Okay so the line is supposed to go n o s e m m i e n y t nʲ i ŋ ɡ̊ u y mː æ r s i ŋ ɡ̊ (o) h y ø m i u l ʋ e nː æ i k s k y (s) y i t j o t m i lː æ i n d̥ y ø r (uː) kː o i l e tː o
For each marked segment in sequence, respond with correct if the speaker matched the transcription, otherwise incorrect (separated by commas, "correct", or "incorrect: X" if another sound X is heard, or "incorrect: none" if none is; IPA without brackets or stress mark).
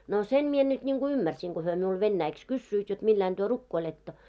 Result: correct, incorrect: sː, incorrect: u